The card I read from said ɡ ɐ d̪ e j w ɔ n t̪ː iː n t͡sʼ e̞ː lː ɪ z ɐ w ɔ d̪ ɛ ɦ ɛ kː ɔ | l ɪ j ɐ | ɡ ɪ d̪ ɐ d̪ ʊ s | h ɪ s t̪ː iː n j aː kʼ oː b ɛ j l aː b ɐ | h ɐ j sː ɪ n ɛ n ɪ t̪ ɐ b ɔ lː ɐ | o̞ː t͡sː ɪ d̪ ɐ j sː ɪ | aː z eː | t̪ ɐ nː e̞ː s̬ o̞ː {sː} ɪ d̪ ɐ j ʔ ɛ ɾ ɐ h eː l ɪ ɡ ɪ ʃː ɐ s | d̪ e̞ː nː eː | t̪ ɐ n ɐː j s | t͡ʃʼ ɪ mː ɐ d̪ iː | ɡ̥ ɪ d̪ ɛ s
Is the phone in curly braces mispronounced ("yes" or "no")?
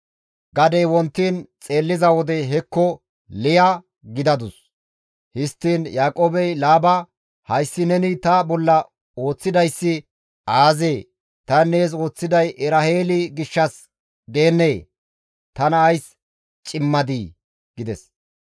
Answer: yes